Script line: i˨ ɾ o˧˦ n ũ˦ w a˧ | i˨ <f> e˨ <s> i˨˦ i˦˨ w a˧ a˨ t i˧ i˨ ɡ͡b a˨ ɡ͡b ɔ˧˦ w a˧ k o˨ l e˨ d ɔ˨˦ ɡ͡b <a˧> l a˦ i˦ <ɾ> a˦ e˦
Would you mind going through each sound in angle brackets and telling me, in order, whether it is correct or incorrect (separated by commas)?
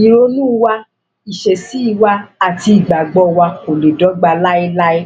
incorrect, correct, correct, incorrect